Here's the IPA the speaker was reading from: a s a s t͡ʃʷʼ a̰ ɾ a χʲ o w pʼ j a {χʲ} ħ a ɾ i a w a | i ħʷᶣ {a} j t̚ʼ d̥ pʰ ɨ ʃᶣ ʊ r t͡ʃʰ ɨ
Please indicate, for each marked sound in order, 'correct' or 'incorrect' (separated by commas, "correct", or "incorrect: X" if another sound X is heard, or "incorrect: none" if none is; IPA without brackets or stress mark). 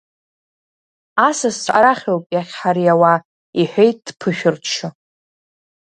correct, incorrect: e